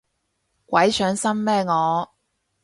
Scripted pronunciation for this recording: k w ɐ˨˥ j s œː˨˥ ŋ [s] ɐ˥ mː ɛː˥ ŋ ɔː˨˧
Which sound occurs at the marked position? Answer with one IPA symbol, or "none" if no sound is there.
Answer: s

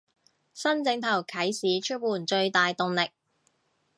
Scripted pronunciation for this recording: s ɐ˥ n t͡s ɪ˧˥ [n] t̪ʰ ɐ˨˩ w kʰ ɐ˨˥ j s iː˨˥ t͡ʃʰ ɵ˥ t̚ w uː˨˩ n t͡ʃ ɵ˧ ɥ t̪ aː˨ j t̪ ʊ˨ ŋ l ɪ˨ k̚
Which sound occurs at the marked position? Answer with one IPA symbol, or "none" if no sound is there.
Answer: ŋ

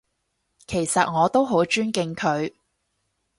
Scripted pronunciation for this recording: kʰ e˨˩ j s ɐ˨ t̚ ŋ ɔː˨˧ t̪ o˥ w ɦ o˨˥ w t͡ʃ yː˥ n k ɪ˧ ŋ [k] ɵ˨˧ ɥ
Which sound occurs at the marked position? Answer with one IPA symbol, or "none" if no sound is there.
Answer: kʰ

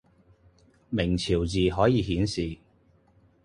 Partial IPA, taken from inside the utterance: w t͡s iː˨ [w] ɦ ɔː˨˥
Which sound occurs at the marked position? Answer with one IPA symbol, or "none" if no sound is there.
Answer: none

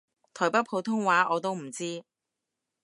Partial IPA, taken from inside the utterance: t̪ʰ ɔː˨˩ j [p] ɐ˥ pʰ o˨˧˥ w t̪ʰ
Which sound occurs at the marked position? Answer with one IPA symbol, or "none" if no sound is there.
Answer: p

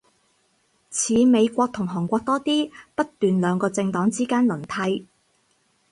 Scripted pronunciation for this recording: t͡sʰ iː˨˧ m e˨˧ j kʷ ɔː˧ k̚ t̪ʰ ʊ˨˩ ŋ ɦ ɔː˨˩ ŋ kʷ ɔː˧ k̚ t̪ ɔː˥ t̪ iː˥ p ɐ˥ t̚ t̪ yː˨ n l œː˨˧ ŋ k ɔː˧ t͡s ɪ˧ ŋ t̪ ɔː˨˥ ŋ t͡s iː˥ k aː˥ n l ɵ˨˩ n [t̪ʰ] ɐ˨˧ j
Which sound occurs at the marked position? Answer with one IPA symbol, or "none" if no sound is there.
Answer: t̪ʰ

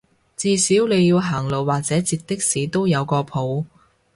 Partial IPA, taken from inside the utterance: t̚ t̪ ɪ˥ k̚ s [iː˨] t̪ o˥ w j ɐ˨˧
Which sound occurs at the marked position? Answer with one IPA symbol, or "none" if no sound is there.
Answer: iː˨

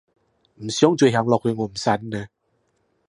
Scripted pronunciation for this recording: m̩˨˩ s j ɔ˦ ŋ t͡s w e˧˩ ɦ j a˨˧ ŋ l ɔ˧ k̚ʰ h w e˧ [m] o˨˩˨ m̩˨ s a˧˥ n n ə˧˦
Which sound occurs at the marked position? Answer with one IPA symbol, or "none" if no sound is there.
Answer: ŋ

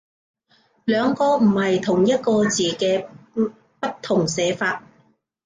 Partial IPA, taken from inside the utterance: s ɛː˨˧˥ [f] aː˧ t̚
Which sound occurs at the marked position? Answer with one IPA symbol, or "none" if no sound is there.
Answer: f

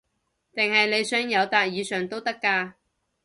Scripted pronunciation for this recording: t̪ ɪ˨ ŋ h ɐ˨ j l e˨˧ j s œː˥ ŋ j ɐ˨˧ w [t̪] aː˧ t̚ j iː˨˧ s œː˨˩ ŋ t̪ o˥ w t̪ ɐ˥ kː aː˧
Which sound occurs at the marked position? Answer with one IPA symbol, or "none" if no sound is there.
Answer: t̪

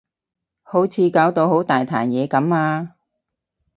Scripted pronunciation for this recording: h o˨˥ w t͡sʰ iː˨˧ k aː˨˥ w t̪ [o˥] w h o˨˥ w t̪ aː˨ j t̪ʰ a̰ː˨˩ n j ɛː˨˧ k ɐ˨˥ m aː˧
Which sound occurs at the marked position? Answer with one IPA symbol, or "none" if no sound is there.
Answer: o˧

